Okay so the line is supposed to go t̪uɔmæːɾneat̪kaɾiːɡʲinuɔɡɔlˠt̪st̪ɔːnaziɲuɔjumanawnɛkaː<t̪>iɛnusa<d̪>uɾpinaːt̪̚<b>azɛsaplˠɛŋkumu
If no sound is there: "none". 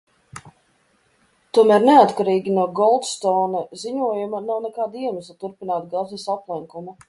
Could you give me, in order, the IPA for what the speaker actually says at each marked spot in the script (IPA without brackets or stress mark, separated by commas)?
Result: d̪, t̪, ɡ